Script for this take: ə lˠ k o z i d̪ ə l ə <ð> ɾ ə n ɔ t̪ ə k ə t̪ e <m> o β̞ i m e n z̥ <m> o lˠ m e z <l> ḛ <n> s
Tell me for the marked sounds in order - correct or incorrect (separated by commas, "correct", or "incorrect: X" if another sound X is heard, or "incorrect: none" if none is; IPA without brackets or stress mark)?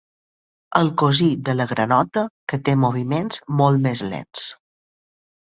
incorrect: ɣ, correct, correct, correct, correct